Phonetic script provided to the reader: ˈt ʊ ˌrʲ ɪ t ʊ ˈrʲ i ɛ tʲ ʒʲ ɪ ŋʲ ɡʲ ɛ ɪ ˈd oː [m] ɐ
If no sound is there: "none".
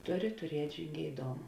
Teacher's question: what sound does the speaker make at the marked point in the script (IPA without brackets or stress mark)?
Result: m